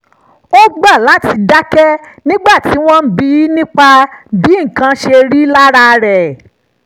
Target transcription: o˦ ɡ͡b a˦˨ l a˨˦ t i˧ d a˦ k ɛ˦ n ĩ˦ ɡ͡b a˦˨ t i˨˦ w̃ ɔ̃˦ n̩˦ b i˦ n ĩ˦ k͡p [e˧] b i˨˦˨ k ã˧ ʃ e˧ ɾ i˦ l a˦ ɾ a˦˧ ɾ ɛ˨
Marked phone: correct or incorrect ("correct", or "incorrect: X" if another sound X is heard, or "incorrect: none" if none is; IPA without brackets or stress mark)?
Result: incorrect: a˧